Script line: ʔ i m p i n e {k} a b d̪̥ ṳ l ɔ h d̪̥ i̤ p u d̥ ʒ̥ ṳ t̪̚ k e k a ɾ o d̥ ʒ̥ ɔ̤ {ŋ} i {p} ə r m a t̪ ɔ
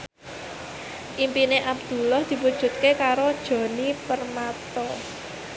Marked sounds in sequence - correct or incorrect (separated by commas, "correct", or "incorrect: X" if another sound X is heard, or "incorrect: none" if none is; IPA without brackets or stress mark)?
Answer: incorrect: ʔ, incorrect: n, correct